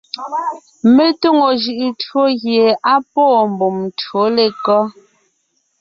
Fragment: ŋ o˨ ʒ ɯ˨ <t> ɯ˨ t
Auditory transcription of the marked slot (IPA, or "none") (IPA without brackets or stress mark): ʔ